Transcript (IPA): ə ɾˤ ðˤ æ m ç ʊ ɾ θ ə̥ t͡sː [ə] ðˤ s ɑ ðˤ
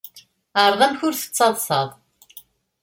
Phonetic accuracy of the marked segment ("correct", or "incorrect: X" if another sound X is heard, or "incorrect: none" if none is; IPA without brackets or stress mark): incorrect: ɑ